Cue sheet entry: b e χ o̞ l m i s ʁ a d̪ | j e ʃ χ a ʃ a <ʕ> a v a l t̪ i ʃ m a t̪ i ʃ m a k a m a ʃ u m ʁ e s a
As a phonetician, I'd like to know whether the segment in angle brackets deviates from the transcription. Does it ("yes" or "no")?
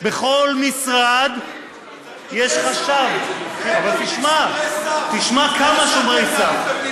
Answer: yes